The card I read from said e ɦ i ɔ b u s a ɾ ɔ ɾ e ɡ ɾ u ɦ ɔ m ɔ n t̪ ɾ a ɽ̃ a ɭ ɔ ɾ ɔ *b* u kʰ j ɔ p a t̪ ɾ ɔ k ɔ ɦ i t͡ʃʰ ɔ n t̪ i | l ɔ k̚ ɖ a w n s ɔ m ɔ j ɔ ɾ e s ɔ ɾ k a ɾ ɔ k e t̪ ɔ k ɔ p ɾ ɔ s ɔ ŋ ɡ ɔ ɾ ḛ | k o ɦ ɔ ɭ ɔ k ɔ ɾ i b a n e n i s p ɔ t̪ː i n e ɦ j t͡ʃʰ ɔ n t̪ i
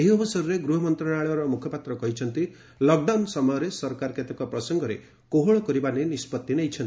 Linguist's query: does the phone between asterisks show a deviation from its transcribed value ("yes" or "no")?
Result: yes